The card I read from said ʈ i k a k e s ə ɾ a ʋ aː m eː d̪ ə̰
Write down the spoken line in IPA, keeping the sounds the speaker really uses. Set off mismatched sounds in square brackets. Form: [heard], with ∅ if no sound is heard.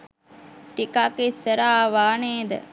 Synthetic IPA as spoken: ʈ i k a k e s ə ɾ a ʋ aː [n] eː d̪ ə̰